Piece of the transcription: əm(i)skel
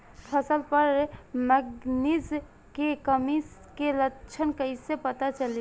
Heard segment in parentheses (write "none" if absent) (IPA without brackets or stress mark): i